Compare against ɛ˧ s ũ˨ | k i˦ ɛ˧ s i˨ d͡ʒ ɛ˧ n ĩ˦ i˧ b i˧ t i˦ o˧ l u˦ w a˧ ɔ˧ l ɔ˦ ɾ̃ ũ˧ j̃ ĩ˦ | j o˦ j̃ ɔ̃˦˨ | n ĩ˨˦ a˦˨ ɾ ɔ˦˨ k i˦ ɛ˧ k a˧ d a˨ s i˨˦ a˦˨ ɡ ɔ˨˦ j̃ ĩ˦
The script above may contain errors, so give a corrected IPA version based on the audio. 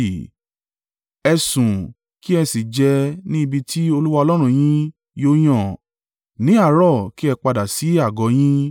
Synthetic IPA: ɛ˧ s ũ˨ | k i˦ ɛ˧ s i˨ d͡ʒ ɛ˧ n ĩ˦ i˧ b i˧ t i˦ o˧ l u˦ w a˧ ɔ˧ l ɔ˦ ɾ̃ ũ˧ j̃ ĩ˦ | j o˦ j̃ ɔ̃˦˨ | n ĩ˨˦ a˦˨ ɾ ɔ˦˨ k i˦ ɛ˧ k͡p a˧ d a˨ s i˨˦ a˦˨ ɡ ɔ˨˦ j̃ ĩ˦